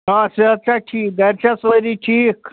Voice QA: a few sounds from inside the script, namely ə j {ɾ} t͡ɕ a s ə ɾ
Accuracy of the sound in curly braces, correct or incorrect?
correct